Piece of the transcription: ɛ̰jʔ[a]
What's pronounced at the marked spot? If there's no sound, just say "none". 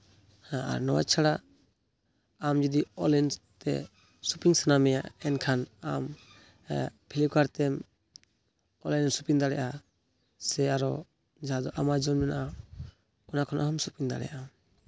a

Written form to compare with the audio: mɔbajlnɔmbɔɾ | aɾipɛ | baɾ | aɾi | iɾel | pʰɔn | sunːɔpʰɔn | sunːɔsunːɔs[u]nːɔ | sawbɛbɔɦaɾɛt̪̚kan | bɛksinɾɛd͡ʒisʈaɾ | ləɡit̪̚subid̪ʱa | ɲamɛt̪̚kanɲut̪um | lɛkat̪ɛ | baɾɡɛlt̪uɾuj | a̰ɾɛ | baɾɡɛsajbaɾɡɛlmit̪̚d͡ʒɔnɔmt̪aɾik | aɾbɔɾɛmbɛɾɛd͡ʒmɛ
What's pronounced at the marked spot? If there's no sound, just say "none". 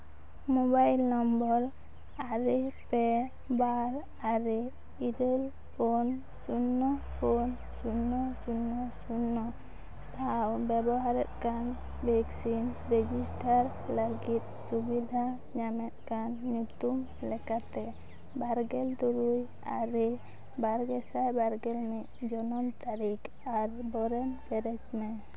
u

